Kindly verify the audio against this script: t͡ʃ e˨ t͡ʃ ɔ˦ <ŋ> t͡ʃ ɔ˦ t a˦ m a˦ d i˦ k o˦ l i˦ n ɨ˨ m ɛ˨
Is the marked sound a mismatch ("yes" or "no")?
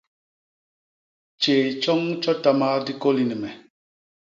no